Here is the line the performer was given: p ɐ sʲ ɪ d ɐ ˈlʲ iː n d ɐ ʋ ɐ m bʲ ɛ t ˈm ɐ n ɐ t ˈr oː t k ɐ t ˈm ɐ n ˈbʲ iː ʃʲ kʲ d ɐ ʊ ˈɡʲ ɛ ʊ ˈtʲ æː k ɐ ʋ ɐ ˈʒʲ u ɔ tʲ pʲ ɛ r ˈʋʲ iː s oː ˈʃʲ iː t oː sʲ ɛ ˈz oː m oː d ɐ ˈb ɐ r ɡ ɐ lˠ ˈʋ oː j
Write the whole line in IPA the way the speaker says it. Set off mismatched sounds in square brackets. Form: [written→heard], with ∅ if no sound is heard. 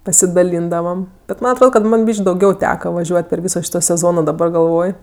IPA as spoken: p ɐ sʲ ɪ d ɐ ˈlʲ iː n d ɐ ʋ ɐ m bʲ ɛ t ˈm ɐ n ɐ t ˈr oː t k ɐ t ˈm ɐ n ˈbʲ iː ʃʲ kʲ d ɐ ʊ ˈɡʲ ɛ ʊ ˈtʲ æː k ɐ ʋ ɐ ˈʒʲ u ɔ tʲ pʲ ɛ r ˈʋʲ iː s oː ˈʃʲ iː t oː sʲ ɛ ˈz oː [m→n] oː d ɐ ˈb ɐ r ɡ ɐ lˠ ˈʋ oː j